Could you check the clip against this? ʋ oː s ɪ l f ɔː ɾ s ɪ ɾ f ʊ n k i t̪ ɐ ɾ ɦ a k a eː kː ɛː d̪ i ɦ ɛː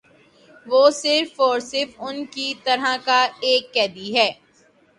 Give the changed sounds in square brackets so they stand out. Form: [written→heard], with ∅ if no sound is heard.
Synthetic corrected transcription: ʋ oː s ɪ [l→ɾ] f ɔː ɾ s ɪ ɾ f ʊ n k i t̪ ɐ ɾ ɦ a k a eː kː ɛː d̪ i ɦ ɛː